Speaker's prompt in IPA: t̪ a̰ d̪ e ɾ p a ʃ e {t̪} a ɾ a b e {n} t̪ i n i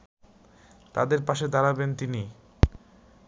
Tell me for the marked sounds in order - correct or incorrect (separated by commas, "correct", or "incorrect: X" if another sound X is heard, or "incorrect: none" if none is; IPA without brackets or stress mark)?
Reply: incorrect: d̪, correct